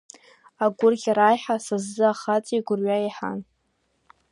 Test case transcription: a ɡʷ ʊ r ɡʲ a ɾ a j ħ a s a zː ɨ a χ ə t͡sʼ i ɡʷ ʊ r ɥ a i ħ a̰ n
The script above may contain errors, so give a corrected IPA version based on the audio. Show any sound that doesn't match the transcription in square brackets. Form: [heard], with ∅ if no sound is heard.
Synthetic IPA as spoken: a ɡʷ ʊ r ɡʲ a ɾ a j ħ a s a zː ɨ a χ [a] t͡sʼ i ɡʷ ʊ r ɥ a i ħ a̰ n